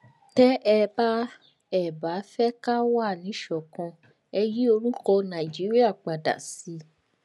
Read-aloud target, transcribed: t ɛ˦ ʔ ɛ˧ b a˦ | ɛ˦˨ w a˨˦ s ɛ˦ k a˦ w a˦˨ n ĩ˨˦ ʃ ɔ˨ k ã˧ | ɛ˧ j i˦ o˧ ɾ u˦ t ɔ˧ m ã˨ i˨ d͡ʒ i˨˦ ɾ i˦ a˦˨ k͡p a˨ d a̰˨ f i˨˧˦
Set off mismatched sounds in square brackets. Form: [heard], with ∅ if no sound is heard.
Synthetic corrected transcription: t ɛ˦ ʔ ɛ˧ b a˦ | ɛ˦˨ [b] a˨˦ [f] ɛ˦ k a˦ w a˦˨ n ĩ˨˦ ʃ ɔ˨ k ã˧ | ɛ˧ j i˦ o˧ ɾ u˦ [k] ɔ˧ [n] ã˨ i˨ d͡ʒ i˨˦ ɾ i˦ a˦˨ k͡p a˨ d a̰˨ [s] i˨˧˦

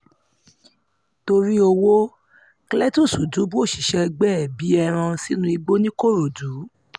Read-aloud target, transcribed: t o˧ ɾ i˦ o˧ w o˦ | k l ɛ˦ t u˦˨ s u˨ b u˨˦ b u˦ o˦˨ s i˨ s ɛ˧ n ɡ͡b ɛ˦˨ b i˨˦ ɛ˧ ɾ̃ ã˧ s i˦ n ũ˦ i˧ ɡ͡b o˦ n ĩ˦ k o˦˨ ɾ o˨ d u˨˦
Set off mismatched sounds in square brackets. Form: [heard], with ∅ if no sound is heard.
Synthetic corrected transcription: t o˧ ɾ i˦ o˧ w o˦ | k l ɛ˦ t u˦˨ s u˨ [d] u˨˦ b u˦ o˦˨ [ʃ] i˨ [ʃ] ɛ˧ [∅] ɡ͡b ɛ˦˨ b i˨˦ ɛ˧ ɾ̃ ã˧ s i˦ n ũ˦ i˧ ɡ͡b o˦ n ĩ˦ k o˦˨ ɾ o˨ d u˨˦

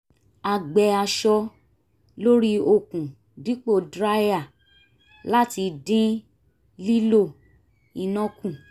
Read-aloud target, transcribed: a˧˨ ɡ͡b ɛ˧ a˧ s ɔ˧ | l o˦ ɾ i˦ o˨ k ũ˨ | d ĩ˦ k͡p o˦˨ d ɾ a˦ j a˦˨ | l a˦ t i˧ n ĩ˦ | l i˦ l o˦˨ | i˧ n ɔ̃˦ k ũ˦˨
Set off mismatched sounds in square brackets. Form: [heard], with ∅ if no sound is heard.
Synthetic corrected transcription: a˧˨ ɡ͡b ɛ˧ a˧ [ʃ] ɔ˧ | l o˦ ɾ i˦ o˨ k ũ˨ | d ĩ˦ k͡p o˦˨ d ɾ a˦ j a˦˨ | l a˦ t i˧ [d] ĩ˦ | l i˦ l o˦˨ | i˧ n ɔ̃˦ k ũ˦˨

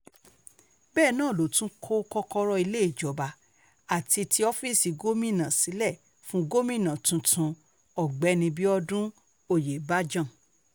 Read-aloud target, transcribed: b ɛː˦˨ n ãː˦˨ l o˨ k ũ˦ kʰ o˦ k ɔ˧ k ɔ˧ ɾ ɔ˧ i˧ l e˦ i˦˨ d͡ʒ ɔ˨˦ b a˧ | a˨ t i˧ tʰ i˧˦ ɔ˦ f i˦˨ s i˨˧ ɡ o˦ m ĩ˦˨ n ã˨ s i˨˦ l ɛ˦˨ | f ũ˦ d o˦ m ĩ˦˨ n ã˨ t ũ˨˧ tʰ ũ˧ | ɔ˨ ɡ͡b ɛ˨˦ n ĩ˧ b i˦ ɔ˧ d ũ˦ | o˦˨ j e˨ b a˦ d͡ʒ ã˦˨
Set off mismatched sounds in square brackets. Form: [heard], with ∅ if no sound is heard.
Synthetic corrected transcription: b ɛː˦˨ n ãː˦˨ l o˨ [t] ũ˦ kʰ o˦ k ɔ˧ k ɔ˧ ɾ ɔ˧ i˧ l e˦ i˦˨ d͡ʒ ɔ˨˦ b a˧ | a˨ t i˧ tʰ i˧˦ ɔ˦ f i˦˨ s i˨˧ ɡ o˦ m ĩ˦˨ n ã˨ s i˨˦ l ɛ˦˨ | f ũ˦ [ɡ] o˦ m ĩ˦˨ n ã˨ t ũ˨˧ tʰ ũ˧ | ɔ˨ ɡ͡b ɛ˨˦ n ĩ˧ b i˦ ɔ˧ d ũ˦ | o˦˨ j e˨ b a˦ d͡ʒ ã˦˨

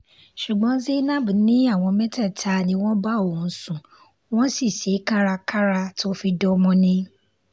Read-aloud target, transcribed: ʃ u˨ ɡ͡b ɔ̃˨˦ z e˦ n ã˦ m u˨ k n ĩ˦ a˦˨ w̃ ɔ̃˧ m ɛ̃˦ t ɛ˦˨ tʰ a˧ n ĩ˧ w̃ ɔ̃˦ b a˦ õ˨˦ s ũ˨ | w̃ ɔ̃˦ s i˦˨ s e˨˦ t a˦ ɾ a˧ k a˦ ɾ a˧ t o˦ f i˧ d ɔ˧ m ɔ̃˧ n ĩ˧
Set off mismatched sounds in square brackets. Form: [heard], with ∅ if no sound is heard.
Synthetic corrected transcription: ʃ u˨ ɡ͡b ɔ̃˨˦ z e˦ n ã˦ [b] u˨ [∅] n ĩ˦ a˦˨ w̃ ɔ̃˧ m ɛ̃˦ t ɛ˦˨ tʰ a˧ n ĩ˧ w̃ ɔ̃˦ b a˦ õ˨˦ s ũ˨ | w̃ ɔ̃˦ s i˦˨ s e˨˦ [k] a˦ ɾ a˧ k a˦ ɾ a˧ t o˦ f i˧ d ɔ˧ m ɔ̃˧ n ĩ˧

